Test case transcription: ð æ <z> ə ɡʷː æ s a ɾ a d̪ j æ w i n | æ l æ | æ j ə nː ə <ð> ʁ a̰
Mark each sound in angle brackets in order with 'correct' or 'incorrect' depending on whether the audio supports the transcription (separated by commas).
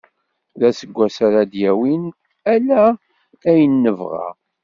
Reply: incorrect, incorrect